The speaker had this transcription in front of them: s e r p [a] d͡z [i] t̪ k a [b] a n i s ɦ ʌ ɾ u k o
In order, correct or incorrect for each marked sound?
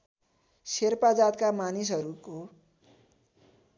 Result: correct, incorrect: a, incorrect: m

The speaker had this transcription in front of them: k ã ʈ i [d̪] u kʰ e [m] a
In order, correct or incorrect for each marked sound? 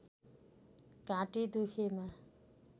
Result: correct, correct

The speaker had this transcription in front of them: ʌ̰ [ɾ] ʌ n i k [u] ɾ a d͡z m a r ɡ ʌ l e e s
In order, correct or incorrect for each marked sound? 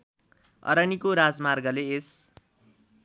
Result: correct, incorrect: o

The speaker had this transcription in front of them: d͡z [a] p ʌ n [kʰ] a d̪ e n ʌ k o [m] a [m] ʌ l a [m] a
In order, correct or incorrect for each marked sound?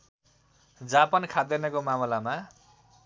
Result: correct, correct, correct, correct, correct

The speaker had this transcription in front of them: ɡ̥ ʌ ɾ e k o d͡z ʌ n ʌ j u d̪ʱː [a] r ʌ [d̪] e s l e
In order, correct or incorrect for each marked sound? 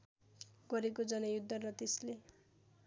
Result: incorrect: ʌ, incorrect: t̪

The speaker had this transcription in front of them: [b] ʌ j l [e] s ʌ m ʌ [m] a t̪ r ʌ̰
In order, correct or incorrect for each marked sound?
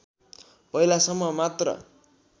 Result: incorrect: p, incorrect: a, correct

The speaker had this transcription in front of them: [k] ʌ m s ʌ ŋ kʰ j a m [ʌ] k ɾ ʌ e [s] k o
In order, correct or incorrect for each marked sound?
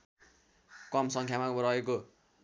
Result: correct, incorrect: a, incorrect: none

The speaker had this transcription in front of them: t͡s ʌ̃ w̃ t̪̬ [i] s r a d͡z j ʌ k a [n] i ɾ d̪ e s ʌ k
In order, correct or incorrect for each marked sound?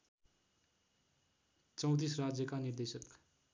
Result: correct, correct

